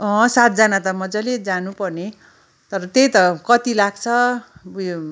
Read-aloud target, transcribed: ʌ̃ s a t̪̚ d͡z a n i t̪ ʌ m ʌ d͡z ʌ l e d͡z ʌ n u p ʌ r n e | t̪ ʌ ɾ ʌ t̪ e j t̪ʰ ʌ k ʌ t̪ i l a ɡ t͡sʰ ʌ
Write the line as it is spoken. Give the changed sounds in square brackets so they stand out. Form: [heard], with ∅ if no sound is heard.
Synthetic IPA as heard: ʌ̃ s a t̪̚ d͡z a n [a] t̪ ʌ m ʌ d͡z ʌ l e d͡z [a] n u p ʌ r n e | t̪ ʌ ɾ ʌ t̪ e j [t̪] ʌ k ʌ t̪ i l a ɡ t͡sʰ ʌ

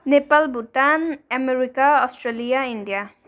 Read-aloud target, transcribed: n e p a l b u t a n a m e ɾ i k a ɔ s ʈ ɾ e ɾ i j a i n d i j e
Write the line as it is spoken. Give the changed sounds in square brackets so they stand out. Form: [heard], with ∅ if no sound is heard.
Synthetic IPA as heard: n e p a l b u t a n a m e ɾ i k a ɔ s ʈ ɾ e [l] i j a i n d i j [a]

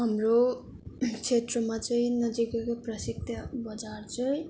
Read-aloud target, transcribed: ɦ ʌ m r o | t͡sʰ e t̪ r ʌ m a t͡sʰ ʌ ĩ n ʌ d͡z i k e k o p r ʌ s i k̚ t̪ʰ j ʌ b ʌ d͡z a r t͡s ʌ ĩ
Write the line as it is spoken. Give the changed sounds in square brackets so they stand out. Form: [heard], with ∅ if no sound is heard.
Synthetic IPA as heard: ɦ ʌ m r o | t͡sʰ e t̪ r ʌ m a [t͡s] ʌ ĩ n ʌ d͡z i k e k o p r ʌ s i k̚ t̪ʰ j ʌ b ʌ d͡z a r t͡s ʌ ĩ

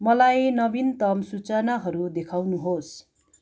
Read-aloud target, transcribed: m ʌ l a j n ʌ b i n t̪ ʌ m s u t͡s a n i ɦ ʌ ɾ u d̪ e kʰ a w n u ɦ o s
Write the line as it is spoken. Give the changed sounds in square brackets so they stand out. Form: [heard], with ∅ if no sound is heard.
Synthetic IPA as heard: m ʌ l a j n ʌ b i n t̪ ʌ m s u t͡s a n [a] ɦ ʌ ɾ u d̪ e kʰ a w n u ɦ o s

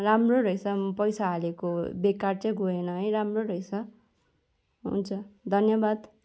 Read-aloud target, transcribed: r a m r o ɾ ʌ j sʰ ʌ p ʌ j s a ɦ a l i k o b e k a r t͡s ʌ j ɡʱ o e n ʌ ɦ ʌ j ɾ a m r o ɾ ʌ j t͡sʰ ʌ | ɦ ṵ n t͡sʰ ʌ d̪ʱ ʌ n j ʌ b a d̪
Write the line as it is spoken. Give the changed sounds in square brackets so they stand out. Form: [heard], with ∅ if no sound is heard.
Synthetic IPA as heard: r a m r o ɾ ʌ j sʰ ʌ p ʌ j s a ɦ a l [e] k o b e k a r t͡s ʌ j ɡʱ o e n ʌ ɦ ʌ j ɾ a m r o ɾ ʌ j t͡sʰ ʌ | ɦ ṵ n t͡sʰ ʌ d̪ʱ ʌ n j ʌ b a d̪

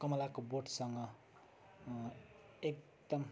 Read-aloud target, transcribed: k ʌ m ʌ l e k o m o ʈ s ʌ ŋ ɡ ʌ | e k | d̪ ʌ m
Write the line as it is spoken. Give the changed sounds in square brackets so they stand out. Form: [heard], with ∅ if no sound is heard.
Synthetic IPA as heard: k ʌ m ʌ l [a] k o [b] o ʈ s ʌ ŋ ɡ ʌ | e k | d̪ ʌ m

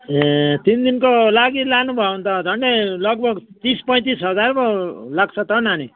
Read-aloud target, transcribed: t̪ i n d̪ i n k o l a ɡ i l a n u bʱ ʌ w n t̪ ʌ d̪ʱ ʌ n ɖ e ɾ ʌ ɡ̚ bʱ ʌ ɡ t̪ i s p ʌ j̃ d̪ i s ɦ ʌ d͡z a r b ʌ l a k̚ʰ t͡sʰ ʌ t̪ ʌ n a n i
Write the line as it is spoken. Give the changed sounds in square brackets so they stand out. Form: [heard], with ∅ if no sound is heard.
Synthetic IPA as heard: t̪ i n d̪ i n k o l a ɡ i l a n u bʱ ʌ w n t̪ ʌ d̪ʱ ʌ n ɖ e [l] ʌ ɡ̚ bʱ ʌ ɡ t̪ i s p ʌ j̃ [t̪] i s ɦ ʌ d͡z a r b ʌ l a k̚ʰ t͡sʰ ʌ t̪ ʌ n a n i

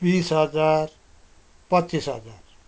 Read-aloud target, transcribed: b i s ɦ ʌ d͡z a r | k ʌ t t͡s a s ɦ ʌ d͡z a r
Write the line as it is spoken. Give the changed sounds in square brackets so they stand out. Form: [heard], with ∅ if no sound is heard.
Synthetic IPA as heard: b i s ɦ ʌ d͡z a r | [p] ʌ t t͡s [i] s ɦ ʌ d͡z a r

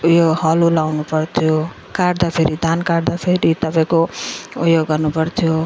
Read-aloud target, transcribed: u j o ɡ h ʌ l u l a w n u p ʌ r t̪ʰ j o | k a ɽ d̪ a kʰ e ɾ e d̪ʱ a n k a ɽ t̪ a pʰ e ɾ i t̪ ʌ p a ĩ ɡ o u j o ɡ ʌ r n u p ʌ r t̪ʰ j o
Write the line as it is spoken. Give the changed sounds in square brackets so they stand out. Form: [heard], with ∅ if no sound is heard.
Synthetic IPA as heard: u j o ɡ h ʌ l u l a w n u p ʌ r t̪ʰ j o | k a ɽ d̪ a [pʰ] e ɾ [i] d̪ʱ a n k a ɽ [d̪] a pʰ e ɾ i t̪ ʌ p a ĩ [k] o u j o ɡ ʌ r n u p ʌ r t̪ʰ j o

